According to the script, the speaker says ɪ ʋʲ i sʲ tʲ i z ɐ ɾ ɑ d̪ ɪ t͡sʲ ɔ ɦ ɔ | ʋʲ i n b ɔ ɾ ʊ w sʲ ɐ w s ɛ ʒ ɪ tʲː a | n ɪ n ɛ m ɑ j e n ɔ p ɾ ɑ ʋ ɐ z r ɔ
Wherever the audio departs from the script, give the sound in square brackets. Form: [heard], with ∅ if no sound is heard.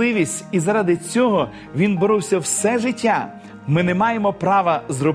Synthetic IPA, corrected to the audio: ɪ ʋʲ i sʲ tʲ i z ɐ ɾ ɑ d̪ ɪ t͡sʲ ɔ ɦ ɔ | ʋʲ i n b ɔ ɾ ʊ w sʲ ɐ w s ɛ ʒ ɪ tʲː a | [m] ɪ n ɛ m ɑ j e [m] ɔ p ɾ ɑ ʋ ɐ z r ɔ